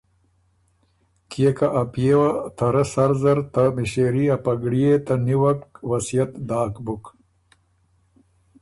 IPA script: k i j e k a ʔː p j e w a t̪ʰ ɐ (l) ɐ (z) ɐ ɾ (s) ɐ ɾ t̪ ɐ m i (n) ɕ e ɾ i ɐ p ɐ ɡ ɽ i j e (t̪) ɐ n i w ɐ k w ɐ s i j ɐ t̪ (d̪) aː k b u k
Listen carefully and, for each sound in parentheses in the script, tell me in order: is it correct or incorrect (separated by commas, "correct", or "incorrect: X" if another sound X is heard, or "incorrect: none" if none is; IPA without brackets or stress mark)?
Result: incorrect: ɾ, incorrect: s, incorrect: z, incorrect: none, correct, correct